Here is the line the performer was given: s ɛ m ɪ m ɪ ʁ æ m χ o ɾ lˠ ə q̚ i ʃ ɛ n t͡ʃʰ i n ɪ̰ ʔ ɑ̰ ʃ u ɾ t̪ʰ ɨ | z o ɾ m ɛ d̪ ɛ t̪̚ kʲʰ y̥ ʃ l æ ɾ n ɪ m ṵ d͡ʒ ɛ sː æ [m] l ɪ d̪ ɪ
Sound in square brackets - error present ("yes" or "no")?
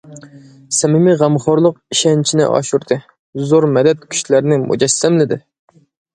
no